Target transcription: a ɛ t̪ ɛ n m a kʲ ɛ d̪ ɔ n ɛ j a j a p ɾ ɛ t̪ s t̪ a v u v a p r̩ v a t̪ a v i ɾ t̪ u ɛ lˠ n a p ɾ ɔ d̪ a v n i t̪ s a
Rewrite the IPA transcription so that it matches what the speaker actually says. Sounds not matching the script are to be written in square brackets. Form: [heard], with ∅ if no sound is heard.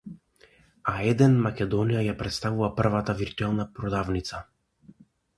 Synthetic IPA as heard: a ɛ [d̪] ɛ n m a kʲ ɛ d̪ ɔ n [i] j a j a p ɾ ɛ t̪ s t̪ a v u v a p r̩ v a t̪ a v i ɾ t̪ u ɛ lˠ n a p ɾ ɔ d̪ a v n i t̪ s a